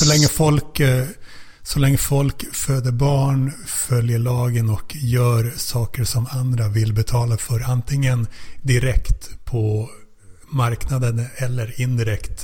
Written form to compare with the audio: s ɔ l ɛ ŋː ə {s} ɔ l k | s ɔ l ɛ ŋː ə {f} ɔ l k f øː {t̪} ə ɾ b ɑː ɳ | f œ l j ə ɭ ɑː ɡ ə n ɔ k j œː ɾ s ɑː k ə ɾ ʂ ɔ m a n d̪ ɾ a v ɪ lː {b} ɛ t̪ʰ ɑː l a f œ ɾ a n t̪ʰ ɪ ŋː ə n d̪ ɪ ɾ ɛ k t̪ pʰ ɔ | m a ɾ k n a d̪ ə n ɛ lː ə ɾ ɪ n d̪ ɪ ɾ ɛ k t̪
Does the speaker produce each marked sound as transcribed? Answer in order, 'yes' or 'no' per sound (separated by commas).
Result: no, yes, no, yes